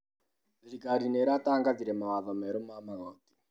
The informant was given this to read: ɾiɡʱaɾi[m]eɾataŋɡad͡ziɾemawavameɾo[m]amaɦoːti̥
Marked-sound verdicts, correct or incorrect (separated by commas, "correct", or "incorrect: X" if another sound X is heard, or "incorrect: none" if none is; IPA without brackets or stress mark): incorrect: n, correct